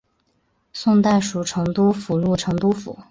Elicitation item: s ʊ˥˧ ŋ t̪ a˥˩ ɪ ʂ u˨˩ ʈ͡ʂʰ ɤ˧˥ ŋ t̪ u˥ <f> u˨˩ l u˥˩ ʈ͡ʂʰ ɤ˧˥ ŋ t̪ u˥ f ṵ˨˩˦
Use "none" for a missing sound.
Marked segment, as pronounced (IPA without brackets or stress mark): f